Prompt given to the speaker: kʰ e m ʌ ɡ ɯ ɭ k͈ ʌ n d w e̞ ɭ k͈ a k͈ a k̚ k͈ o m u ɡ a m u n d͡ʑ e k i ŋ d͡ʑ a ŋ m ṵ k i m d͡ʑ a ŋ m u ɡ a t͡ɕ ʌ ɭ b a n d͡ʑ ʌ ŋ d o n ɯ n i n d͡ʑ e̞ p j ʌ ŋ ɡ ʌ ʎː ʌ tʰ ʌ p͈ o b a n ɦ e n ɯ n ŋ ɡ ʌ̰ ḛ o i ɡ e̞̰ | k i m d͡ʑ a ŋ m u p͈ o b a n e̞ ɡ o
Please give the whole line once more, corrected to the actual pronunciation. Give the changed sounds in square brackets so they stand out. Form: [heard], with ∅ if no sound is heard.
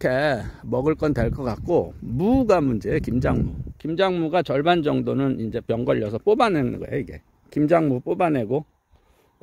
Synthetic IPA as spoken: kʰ e m ʌ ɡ ɯ ɭ k͈ ʌ n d w e̞ ɭ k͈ [ʌ] k͈ a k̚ k͈ o m u ɡ a m u n d͡ʑ e k i [m] d͡ʑ a ŋ m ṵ k i m d͡ʑ a ŋ m u ɡ a t͡ɕ ʌ ɭ b a n d͡ʑ ʌ ŋ d o n ɯ n i n d͡ʑ e̞ p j ʌ ŋ ɡ ʌ ʎː ʌ [sʰ] ʌ p͈ o b a n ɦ e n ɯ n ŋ ɡ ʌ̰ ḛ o i ɡ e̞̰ | k i m d͡ʑ a ŋ m u p͈ o b a n e̞ ɡ o

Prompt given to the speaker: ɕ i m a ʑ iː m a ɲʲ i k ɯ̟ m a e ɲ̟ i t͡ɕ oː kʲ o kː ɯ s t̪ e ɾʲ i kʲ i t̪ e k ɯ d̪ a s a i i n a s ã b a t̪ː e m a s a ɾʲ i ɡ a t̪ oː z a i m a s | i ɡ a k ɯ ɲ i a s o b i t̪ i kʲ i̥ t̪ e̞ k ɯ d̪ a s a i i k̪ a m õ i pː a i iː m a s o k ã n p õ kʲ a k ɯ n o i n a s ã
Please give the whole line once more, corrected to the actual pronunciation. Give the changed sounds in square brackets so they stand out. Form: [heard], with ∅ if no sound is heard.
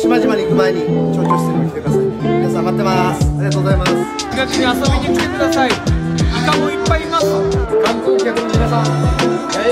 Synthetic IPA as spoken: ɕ i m a ʑ [i] m a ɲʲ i k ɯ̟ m a e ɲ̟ i t͡ɕ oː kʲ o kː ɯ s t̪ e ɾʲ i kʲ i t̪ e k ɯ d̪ a s a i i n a s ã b a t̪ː e m a s a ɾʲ i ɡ a t̪ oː z a i m a s | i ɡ a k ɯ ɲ i a s o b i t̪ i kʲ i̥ t̪ e̞ k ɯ d̪ a s a i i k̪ a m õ i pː a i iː m a s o k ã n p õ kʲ a k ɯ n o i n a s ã

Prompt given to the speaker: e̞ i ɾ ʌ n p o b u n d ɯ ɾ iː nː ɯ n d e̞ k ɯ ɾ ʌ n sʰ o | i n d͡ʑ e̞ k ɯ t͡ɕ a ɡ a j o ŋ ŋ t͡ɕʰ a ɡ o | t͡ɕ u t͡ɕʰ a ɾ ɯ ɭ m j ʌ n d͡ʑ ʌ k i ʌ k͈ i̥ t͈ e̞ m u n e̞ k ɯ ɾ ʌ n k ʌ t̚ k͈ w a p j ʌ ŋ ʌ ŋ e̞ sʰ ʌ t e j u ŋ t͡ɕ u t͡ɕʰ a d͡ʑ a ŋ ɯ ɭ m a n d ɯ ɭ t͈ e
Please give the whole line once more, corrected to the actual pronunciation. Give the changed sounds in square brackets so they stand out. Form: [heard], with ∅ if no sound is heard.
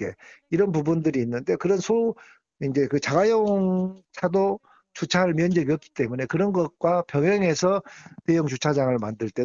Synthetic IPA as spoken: e̞ i ɾ ʌ n p [u] b u n d ɯ ɾ iː nː ɯ n d e̞ k ɯ ɾ ʌ n sʰ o | i n d͡ʑ e̞ k ɯ t͡ɕ a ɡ a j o ŋ ŋ t͡ɕʰ a [d] o | t͡ɕ u t͡ɕʰ a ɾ ɯ ɭ m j ʌ n d͡ʑ ʌ [ɡ] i ʌ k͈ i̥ t͈ e̞ m u n e̞ k ɯ ɾ ʌ n [ɡ] ʌ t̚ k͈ w a p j ʌ ŋ ʌ ŋ e̞ sʰ ʌ t e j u ŋ t͡ɕ u t͡ɕʰ a d͡ʑ a ŋ ɯ ɭ m a n d ɯ ɭ t͈ e

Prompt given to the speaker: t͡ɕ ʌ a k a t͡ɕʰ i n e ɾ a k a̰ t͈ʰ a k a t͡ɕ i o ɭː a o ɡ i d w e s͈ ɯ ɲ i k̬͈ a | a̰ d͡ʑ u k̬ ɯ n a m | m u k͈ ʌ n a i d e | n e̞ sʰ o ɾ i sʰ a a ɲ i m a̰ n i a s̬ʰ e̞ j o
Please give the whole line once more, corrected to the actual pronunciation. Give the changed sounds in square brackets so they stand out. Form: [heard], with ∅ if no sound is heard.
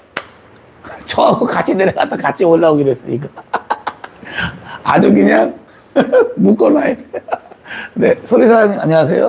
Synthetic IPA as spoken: t͡ɕ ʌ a k a t͡ɕʰ i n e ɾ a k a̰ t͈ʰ a k a [t͡ɕʰ] i o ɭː a o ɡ i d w e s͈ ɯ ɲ i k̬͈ a | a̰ d͡ʑ u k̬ ɯ [ɲ] a [ŋ] | m u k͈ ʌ n a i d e | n e̞ sʰ o ɾ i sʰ a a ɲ i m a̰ [ɲ] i a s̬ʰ e̞ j o

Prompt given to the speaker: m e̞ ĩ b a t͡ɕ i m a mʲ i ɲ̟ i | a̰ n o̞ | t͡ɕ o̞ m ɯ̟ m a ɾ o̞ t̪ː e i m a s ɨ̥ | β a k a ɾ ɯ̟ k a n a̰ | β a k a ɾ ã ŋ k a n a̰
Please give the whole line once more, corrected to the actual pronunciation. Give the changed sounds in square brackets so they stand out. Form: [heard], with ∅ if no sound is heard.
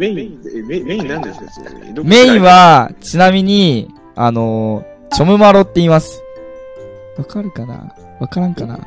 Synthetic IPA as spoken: m e̞ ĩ [β] a t͡ɕ i [n] a mʲ i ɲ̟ i | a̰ n o̞ | t͡ɕ o̞ m ɯ̟ m a ɾ o̞ t̪ː e i m a s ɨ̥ | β a k a ɾ ɯ̟ k a n a̰ | β a k a ɾ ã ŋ k a n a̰

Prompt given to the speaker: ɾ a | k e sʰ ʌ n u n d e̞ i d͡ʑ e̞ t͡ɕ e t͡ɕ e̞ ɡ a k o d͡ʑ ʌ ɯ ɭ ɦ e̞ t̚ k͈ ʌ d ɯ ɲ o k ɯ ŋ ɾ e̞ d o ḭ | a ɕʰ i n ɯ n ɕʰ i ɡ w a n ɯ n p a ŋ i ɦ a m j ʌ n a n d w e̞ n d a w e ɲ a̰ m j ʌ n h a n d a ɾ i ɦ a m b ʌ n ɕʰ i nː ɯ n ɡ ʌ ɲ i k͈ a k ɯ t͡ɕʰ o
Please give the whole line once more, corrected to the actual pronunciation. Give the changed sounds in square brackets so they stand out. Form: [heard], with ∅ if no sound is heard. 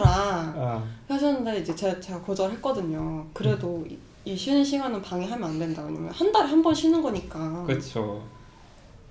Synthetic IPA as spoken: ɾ a | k e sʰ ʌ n [ɯ] n d e̞ i d͡ʑ e̞ t͡ɕ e t͡ɕ e̞ ɡ a k o d͡ʑ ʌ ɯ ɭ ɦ e̞ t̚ k͈ ʌ d ɯ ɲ o k ɯ [∅] ɾ e̞ d o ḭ | [i] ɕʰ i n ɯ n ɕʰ i ɡ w a n ɯ n p a ŋ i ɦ a m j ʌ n a n d w e̞ n d a w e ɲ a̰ m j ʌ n h a n d a ɾ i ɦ a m b ʌ n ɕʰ i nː ɯ n ɡ ʌ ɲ i k͈ a k ɯ t͡ɕʰ o

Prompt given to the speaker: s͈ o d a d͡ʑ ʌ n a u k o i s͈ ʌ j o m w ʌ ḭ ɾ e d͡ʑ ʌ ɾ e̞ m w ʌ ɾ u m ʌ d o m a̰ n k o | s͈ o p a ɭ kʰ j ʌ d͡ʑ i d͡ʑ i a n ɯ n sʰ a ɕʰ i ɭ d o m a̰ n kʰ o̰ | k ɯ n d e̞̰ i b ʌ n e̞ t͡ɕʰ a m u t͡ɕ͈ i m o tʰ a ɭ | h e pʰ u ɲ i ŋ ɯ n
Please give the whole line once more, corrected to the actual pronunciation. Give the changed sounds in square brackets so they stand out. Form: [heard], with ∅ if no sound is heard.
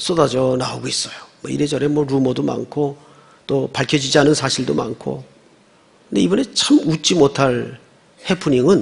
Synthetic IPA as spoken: s͈ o d a d͡ʑ ʌ n a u [ɡ] o i s͈ ʌ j o m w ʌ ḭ ɾ e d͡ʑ ʌ ɾ e̞ m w ʌ ɾ u m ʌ d o m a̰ n [kʰ] o | [t͈] o p a ɭ kʰ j ʌ d͡ʑ i d͡ʑ i a n ɯ n sʰ a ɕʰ i ɭ d o m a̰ n kʰ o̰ | k ɯ n d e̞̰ i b ʌ n e̞ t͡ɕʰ a m u t͡ɕ͈ i m o tʰ a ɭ | h e pʰ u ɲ i ŋ ɯ n

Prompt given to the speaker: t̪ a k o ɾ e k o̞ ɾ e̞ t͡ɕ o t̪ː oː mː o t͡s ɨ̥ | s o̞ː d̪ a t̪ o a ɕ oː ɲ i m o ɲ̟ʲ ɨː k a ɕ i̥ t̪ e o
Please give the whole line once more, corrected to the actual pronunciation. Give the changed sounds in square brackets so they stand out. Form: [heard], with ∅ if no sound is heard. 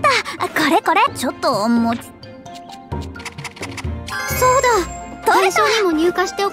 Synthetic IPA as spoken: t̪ a k o ɾ e k o̞ ɾ e̞ t͡ɕ o t̪ː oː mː o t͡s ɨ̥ | s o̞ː d̪ a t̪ o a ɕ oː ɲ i m o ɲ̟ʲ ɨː k a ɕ i̥ t̪ e o

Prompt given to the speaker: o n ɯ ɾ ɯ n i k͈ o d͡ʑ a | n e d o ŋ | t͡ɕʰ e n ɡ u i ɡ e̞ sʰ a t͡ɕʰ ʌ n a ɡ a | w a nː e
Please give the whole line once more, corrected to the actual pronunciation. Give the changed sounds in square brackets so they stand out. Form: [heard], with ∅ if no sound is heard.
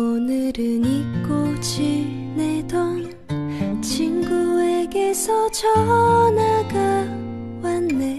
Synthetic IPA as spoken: o n ɯ ɾ ɯ n i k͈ o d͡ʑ [i] | n e d o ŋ | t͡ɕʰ [i] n ɡ u [e] ɡ e̞ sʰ [ʌ] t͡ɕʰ ʌ n a ɡ a | w a nː e

